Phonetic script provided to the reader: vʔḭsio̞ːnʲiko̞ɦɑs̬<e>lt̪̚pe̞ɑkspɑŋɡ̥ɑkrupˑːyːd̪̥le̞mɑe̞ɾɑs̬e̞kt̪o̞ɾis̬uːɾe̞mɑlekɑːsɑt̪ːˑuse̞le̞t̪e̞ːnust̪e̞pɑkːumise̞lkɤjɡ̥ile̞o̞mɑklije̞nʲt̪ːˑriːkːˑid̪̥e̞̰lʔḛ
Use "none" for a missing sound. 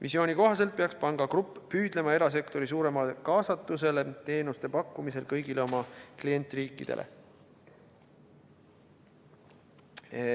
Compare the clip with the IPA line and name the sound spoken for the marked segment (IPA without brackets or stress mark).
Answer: e